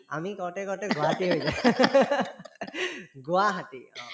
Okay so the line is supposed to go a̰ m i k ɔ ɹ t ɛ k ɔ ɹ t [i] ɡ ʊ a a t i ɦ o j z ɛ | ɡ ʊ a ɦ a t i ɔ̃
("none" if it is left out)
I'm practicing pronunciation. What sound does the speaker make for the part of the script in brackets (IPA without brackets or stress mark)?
ɛ